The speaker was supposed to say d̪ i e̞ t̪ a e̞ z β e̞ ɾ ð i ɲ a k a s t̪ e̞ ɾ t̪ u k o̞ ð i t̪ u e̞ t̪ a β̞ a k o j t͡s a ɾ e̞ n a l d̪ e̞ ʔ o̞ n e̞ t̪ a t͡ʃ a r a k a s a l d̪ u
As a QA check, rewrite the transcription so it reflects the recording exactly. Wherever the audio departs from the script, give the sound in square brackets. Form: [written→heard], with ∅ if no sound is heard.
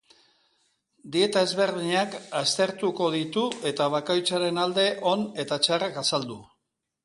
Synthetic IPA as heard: d̪ i e̞ t̪ a e̞ z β e̞ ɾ ð i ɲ a k a s t̪ e̞ ɾ t̪ u k o̞ ð i t̪ u e̞ t̪ a β̞ a k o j t͡s a ɾ e̞ n a l d̪ e̞ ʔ o̞ n e̞ t̪ a t͡ʃ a r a k a s a l d̪ u